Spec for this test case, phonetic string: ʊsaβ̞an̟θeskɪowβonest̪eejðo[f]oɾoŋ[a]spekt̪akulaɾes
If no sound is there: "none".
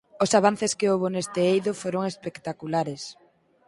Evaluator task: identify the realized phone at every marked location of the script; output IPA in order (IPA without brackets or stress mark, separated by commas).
f, e